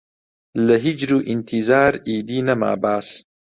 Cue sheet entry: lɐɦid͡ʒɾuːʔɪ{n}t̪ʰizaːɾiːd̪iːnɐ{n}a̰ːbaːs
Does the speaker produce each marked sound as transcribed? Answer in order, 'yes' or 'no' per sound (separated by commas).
yes, no